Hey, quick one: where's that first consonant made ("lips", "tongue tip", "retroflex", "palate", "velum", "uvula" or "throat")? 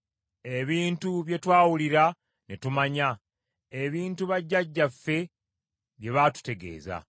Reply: lips